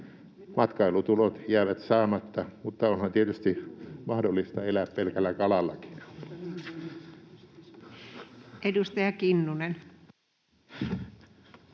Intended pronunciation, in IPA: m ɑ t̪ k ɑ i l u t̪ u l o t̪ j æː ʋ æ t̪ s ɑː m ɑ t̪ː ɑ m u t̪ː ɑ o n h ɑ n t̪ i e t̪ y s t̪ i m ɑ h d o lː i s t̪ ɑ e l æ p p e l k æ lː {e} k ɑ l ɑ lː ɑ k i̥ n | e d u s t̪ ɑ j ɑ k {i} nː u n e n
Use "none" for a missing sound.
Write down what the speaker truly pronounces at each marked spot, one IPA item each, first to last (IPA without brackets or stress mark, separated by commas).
æ, i